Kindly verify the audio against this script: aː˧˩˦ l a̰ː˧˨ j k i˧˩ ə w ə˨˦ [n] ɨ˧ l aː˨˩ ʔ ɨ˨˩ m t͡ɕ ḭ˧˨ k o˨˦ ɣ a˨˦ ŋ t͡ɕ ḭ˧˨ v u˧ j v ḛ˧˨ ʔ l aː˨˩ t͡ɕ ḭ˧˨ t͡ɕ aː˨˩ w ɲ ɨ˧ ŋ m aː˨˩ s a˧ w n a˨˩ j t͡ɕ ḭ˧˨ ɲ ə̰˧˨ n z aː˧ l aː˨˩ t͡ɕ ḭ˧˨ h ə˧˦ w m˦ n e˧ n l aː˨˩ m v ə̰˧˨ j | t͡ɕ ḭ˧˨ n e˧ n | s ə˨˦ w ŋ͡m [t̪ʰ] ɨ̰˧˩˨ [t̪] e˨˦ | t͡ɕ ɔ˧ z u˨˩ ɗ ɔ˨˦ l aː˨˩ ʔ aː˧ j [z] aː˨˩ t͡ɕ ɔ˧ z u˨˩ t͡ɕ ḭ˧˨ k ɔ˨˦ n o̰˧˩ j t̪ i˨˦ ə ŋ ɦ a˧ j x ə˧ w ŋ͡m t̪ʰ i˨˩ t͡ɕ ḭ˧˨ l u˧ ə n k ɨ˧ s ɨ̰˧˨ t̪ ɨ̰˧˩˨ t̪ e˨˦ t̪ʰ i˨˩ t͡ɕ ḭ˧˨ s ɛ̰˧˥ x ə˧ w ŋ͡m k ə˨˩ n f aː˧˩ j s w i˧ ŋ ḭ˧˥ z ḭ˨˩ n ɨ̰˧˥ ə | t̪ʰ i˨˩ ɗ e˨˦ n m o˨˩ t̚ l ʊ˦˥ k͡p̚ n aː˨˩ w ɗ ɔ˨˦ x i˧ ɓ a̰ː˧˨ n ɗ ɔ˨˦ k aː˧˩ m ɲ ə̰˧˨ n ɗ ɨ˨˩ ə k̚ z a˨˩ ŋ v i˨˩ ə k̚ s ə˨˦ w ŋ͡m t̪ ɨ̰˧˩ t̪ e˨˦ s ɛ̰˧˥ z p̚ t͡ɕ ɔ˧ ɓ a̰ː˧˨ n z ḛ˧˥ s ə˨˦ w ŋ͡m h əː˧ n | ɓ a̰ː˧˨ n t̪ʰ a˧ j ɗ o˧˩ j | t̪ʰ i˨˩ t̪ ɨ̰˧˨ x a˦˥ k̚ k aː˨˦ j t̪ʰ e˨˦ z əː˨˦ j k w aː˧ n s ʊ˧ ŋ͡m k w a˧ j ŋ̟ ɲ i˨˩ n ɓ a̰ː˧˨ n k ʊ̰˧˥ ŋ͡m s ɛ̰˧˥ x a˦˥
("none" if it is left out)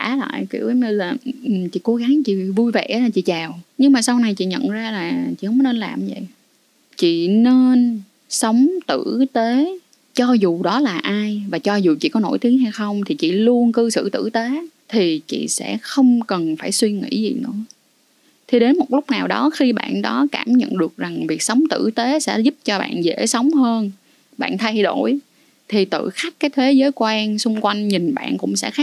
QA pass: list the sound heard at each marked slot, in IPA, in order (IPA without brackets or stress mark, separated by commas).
ɲ, t̪, t̪, v